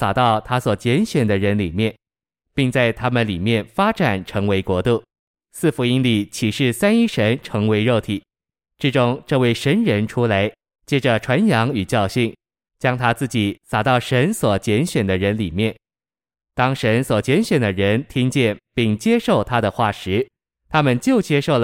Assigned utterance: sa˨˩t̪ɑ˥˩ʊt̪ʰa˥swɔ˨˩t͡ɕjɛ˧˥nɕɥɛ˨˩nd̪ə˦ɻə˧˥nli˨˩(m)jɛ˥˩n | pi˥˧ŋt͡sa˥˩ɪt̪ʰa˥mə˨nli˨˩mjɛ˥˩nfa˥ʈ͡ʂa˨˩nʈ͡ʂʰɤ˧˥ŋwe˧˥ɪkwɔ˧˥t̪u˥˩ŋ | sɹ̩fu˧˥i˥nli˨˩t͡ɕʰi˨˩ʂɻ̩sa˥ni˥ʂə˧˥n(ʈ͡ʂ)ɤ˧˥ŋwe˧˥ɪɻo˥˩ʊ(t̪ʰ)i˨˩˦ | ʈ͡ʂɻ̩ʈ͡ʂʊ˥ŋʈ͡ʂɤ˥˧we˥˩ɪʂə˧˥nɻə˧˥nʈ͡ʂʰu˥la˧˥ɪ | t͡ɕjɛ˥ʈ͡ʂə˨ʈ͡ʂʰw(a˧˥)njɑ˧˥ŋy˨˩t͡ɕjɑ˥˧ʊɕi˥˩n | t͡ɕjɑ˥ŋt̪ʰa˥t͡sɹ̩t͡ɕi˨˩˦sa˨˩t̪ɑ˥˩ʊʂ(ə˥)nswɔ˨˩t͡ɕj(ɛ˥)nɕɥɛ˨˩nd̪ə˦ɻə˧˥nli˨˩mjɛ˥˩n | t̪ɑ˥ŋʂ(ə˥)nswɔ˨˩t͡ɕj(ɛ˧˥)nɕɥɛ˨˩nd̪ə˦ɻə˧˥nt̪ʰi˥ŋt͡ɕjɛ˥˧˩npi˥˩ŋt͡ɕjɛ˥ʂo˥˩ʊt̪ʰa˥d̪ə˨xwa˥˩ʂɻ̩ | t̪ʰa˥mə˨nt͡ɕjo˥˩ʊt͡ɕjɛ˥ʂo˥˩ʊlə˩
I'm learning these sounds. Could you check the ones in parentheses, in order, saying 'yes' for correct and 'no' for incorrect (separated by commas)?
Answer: yes, no, yes, yes, no, no, no, yes